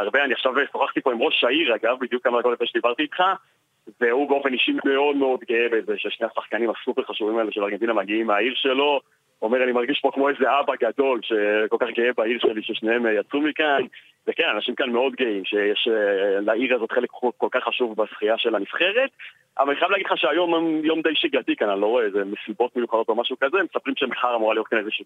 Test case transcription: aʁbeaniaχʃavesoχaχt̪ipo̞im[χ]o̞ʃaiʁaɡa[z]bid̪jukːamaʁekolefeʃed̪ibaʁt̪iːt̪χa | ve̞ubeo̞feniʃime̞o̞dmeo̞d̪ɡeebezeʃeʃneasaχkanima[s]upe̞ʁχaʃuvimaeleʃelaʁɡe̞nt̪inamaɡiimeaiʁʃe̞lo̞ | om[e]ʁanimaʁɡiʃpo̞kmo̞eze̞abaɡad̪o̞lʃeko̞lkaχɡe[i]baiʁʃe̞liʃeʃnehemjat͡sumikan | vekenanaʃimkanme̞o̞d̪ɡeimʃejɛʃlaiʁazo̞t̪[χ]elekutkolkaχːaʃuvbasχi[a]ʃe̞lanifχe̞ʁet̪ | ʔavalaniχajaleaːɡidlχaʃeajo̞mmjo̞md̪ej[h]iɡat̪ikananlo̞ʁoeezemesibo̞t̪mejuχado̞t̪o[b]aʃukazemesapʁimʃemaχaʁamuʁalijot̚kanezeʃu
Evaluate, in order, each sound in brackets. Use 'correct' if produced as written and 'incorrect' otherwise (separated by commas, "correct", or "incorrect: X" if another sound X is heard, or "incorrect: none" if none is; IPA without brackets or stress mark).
incorrect: ʁ, incorrect: v, correct, correct, incorrect: e, correct, correct, incorrect: ʃ, incorrect: m